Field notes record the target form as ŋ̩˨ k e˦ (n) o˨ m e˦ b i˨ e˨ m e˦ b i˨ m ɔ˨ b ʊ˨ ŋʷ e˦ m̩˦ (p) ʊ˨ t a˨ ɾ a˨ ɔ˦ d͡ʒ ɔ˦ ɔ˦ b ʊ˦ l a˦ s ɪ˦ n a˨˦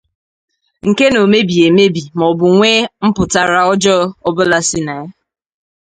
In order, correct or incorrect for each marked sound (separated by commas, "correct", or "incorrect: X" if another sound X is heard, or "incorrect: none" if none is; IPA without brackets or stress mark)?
correct, correct